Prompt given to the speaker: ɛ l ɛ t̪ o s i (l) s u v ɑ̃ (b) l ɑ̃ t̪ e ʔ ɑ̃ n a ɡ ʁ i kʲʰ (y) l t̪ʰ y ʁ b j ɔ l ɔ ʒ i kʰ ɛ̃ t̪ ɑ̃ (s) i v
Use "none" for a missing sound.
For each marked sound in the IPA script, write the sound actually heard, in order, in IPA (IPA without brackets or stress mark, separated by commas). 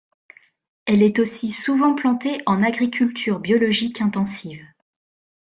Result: none, p, y, s